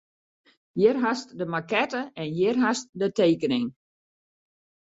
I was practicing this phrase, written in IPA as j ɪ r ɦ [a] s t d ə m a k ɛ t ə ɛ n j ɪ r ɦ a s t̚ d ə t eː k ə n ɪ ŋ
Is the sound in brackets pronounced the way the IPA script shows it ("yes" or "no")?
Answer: yes